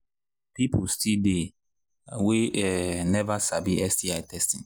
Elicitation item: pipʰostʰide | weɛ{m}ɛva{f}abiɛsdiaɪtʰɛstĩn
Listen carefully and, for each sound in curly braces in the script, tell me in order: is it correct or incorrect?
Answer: incorrect: n, incorrect: s

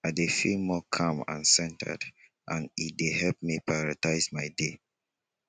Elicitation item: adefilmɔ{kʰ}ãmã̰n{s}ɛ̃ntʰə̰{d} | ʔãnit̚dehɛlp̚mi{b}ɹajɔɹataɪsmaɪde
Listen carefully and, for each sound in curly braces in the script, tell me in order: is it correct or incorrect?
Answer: correct, correct, correct, incorrect: p

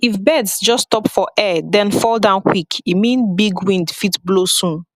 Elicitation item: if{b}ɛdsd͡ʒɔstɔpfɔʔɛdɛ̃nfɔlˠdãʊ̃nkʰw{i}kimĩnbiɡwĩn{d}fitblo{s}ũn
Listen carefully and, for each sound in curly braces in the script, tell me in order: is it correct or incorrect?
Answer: correct, correct, correct, correct

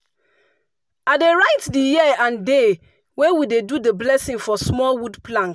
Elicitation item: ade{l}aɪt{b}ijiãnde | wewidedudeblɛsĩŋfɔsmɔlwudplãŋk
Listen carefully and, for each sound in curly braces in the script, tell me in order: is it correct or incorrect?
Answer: incorrect: ɹ, incorrect: d

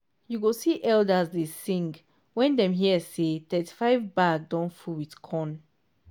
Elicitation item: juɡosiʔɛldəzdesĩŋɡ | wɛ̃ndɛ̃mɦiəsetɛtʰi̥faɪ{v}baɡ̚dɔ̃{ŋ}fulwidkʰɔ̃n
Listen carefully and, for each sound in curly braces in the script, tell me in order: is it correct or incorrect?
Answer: correct, incorrect: n

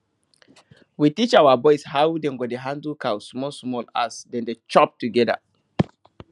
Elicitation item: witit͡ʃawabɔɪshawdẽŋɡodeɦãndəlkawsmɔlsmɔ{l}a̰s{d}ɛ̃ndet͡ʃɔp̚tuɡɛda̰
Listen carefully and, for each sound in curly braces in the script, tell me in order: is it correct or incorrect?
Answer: correct, correct

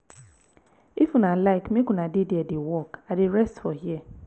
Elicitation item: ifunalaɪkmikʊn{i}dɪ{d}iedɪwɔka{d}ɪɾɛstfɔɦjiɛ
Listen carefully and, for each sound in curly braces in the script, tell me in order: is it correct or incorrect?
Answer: incorrect: a, correct, correct

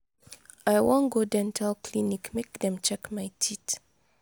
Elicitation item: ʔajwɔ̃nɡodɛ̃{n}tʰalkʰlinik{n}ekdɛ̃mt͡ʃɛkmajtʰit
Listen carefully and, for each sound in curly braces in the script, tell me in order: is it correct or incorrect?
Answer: correct, incorrect: m

